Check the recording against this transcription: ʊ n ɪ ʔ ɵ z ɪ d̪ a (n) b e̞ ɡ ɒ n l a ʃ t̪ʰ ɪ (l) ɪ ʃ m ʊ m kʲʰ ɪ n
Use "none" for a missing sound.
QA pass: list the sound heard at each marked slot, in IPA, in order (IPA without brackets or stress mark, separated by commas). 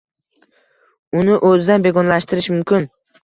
n, ɾ